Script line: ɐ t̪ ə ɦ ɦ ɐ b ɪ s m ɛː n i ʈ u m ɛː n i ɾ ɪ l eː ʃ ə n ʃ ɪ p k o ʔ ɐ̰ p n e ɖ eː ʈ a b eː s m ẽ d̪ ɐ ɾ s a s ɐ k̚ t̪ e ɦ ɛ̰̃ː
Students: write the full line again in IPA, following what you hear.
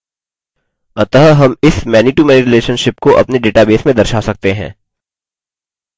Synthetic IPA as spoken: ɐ t̪ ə ɦ ɦ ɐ m ɪ s m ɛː n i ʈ u m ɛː n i ɾ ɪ l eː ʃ ə n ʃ ɪ p k o ʔ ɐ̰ p n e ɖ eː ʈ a b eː s m ẽ d̪ ɐ ɾ ʃ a s ɐ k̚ t̪ e ɦ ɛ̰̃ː